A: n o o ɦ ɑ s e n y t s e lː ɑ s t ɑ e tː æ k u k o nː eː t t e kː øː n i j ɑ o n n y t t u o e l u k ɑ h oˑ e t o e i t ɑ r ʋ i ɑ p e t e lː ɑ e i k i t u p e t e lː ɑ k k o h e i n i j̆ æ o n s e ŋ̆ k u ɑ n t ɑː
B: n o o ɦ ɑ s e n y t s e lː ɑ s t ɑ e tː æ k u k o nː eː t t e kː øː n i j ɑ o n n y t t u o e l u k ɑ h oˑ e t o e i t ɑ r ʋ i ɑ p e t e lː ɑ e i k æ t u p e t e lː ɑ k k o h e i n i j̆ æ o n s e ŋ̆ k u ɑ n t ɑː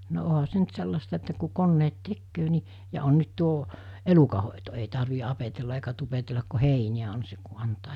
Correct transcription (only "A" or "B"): B